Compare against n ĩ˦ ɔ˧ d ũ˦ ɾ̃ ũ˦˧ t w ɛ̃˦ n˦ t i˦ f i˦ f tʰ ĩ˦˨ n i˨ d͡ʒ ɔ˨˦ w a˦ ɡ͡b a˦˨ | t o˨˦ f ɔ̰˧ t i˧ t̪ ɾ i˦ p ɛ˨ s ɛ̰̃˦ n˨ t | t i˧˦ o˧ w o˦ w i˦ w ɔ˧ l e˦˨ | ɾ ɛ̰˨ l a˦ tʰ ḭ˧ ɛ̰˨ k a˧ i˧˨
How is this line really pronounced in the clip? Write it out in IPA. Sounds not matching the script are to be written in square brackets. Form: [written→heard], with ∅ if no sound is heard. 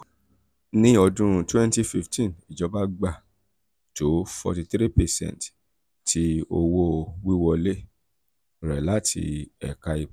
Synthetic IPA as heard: n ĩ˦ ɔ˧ d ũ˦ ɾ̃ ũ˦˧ t w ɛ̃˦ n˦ t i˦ f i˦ f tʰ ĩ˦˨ n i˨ d͡ʒ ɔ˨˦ [w→b] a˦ ɡ͡b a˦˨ | t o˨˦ f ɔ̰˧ t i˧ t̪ ɾ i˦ p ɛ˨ s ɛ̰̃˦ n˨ t | t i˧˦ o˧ w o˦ w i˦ w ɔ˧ l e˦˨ | ɾ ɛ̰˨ l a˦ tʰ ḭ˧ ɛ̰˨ k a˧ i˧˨